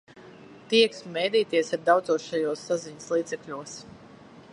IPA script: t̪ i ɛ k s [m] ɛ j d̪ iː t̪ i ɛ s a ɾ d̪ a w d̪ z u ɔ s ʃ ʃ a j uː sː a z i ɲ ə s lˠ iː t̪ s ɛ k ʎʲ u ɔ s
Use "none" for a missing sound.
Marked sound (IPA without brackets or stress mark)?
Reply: m